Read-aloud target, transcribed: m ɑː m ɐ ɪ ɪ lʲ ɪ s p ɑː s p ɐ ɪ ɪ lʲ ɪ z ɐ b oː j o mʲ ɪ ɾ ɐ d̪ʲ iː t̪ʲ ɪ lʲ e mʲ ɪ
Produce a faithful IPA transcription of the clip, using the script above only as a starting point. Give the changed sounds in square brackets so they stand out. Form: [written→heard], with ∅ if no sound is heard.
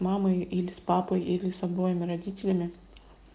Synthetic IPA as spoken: m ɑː m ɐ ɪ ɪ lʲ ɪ s p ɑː [s→∅] p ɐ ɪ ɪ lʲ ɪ [z→s] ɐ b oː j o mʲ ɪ ɾ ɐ d̪ʲ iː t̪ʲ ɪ lʲ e mʲ ɪ